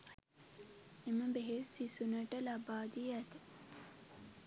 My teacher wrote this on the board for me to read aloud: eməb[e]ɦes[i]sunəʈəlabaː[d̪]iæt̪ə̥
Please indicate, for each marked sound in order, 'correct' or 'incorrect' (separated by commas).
correct, correct, correct